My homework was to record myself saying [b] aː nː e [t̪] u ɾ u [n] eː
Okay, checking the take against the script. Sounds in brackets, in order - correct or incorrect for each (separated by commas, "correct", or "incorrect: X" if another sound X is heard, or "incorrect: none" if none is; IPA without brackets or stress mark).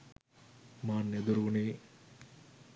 incorrect: m, incorrect: d̪, correct